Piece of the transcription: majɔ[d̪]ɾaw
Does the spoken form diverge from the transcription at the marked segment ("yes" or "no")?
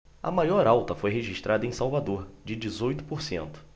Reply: yes